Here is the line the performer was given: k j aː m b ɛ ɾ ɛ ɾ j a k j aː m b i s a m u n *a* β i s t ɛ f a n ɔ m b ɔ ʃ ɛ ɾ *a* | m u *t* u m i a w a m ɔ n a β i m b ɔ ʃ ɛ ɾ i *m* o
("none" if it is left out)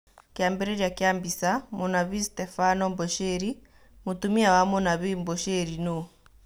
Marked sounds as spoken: a, i, t, n

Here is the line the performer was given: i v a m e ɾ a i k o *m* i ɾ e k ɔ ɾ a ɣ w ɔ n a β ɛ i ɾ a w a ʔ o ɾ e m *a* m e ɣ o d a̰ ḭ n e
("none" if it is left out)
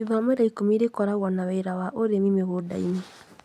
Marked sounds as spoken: m, i

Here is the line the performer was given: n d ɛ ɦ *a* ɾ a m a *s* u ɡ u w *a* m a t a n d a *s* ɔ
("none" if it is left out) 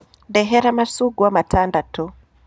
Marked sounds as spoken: ɛ, s, a, t

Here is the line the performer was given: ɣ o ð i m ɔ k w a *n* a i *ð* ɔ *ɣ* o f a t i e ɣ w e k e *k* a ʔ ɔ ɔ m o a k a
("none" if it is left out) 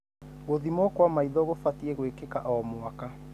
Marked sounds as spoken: m, ð, ɣ, k

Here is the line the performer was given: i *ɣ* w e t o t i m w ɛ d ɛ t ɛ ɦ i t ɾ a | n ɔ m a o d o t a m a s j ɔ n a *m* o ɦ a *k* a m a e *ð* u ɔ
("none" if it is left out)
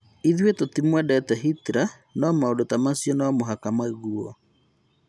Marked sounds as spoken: ð, m, k, ɣ

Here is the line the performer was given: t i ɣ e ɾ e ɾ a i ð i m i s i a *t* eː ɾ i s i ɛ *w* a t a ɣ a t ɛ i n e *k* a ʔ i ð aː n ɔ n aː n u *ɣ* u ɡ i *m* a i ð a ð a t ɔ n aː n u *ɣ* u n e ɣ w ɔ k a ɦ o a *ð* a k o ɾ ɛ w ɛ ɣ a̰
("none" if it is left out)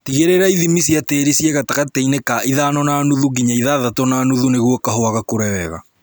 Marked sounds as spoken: t, ɣ, k, ð, ɲ, ð, ɣ

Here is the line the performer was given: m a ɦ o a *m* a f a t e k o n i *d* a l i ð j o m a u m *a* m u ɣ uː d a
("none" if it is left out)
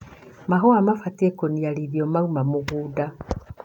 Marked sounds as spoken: m, none, a

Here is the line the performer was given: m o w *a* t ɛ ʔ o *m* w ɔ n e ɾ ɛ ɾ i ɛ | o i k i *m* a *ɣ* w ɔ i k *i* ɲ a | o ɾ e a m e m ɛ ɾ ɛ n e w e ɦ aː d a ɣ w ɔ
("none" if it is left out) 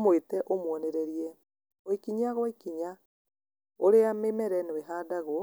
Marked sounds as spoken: e, m, ɲ, ɣ, i

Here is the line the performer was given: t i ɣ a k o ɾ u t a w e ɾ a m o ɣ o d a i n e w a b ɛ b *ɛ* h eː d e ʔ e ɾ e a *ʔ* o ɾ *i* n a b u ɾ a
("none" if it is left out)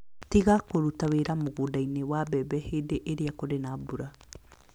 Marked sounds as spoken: ɛ, k, e

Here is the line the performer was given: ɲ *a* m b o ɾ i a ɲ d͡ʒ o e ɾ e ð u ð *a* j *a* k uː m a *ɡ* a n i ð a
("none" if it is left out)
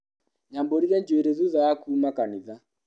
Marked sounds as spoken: a, a, a, k

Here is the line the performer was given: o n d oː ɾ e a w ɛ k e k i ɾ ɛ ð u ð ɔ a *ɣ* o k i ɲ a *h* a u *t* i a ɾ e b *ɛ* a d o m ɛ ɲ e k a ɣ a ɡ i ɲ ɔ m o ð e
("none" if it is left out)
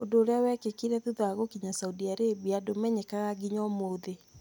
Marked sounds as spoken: ɣ, s, d, i

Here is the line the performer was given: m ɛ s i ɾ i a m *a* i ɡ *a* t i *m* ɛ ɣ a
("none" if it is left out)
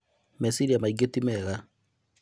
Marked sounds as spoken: a, e, m

